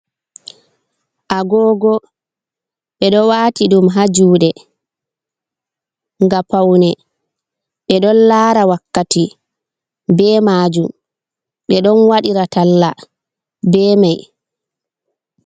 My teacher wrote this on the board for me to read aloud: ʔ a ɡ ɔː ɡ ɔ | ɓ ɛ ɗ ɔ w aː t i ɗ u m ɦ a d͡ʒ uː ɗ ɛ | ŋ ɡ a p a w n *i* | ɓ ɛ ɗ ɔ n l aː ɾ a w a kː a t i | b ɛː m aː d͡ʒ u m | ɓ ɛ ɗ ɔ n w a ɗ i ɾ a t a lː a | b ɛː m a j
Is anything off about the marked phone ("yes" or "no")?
yes